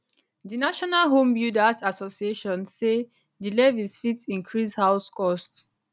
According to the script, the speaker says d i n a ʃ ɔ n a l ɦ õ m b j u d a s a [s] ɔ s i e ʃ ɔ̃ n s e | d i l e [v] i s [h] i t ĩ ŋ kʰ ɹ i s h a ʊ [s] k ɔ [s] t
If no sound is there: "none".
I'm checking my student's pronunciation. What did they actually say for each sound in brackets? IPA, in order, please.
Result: s, v, f, s, s

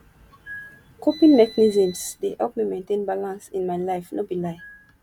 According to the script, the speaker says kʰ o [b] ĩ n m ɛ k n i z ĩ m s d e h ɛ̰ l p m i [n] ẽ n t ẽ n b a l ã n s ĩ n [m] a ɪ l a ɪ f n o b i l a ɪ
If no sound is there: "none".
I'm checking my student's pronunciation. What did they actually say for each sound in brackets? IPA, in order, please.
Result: p, m, m

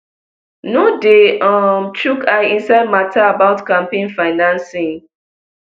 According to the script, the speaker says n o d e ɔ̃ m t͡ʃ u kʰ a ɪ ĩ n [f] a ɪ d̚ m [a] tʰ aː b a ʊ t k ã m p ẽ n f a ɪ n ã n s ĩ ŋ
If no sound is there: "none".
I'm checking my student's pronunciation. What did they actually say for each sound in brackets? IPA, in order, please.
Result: s, a

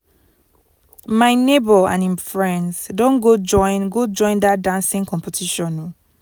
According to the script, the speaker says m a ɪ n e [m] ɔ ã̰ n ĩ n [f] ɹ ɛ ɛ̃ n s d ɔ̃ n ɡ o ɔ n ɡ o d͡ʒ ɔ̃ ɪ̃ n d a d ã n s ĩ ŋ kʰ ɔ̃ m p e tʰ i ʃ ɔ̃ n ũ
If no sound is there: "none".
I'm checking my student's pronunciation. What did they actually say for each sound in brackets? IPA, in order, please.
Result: b, f

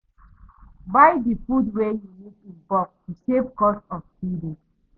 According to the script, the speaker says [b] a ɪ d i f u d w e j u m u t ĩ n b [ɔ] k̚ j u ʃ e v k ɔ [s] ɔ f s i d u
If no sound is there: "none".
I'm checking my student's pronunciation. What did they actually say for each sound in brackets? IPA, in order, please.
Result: b, ɔ, s

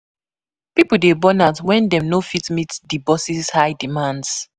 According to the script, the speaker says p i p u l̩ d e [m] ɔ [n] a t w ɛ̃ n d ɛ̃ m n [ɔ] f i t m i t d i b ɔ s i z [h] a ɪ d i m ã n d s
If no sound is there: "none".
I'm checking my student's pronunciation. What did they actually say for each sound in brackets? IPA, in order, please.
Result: b, n, o, h

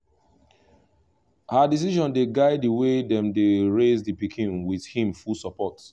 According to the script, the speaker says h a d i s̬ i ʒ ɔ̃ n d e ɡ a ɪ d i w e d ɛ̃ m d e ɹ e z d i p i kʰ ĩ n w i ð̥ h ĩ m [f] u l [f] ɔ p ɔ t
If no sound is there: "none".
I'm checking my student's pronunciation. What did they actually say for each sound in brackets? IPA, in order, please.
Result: f, s

